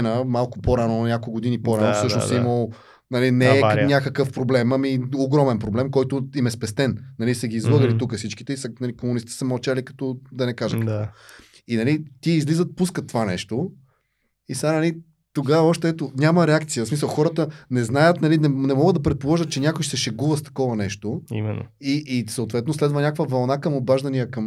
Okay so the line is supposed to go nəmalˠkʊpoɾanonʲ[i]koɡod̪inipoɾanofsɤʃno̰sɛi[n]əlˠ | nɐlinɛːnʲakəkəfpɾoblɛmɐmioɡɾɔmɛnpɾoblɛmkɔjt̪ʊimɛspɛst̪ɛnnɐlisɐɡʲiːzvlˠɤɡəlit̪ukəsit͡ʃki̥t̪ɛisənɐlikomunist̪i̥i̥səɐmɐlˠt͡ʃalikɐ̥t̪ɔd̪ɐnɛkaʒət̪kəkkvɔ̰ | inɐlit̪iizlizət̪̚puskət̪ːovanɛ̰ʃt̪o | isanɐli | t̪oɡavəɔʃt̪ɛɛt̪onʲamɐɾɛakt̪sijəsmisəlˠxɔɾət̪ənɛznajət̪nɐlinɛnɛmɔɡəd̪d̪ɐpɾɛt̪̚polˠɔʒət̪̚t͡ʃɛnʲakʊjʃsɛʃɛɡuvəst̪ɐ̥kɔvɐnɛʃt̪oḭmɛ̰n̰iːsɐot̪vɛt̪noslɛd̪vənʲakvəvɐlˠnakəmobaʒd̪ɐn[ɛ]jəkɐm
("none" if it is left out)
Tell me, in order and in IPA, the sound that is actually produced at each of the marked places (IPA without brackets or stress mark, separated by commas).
a, m, i